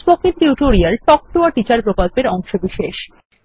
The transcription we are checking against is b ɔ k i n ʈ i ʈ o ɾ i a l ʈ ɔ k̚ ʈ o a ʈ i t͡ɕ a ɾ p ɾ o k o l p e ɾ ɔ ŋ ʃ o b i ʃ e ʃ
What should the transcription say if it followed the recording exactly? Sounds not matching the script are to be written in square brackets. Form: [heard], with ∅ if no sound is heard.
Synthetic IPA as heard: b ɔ k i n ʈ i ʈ o ɾ i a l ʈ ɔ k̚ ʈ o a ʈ i t͡ɕ a ɾ p ɾ o k o l p e ɾ ɔ ŋ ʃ o b i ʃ e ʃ